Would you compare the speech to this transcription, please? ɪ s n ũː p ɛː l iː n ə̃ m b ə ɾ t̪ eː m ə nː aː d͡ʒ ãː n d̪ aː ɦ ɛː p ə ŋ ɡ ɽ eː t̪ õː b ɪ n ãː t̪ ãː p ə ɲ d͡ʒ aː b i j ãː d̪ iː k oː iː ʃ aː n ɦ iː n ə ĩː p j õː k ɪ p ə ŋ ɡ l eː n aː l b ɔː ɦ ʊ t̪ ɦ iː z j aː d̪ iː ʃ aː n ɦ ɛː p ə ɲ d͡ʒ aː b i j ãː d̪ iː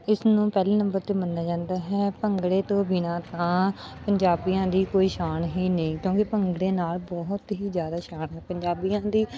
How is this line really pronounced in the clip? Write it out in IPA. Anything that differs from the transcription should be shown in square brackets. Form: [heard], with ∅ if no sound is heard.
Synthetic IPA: ɪ s n ũː p ɛː l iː n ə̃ m b ə ɾ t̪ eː m ə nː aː d͡ʒ ãː n d̪ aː ɦ ɛː p ə ŋ ɡ ɽ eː t̪ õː b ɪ n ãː t̪ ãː p ə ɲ d͡ʒ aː b i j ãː d̪ iː k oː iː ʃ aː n ɦ iː n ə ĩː [k] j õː k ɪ p ə ŋ ɡ [ɽ] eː n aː l b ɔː ɦ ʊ t̪ ɦ iː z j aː d̪ [aː] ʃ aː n ɦ ɛː p ə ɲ d͡ʒ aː b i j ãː d̪ iː

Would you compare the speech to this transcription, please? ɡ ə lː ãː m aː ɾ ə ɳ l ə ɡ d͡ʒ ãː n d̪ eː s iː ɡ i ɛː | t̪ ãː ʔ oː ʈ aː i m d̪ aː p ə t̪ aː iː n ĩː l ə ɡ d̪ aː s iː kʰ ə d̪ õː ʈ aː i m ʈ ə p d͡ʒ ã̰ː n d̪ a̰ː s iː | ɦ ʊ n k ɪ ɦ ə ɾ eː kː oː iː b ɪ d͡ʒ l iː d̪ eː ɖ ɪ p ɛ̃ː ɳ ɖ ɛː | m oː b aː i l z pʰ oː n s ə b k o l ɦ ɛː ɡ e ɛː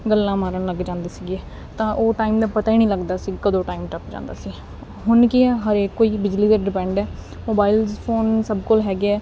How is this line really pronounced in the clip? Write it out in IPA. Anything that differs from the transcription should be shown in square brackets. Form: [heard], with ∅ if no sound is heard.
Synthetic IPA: ɡ ə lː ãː m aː ɾ ə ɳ l ə ɡ d͡ʒ ãː n d̪ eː s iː ɡ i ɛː | t̪ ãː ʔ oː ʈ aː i m d̪ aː p ə t̪ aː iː n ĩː l ə ɡ d̪ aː s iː [k] ə d̪ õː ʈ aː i m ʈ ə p d͡ʒ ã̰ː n d̪ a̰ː s iː | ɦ ʊ n k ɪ ɦ ə ɾ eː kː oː iː b ɪ d͡ʒ l iː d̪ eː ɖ ɪ p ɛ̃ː ɳ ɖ ɛː | m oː b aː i l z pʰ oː n s ə b k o l ɦ ɛː ɡ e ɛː

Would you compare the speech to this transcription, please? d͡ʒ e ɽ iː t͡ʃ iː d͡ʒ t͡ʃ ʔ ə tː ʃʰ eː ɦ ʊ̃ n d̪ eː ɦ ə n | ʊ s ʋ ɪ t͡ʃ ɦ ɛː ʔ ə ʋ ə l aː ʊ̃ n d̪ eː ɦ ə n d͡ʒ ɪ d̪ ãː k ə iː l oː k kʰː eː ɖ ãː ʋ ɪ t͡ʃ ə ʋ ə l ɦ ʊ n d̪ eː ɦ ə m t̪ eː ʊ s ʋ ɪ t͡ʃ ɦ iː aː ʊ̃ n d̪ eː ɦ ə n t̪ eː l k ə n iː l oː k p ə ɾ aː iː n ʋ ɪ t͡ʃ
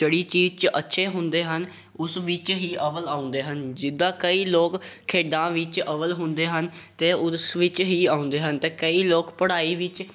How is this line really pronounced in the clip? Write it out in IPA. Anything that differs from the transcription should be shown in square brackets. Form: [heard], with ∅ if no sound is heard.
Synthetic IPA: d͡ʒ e ɽ iː t͡ʃ iː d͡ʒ t͡ʃ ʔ ə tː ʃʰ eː ɦ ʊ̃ n d̪ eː ɦ ə n | ʊ s ʋ ɪ t͡ʃ ɦ [iː] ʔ ə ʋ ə l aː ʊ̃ n d̪ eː ɦ ə n d͡ʒ ɪ d̪ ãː k ə iː l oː k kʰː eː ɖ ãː ʋ ɪ t͡ʃ ə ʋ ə l ɦ ʊ n d̪ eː ɦ ə [n] t̪ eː ʊ s ʋ ɪ t͡ʃ ɦ iː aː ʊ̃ n d̪ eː ɦ ə n t̪ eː [∅] k ə [∅] iː l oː k p ə [ɽ] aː iː [∅] ʋ ɪ t͡ʃ

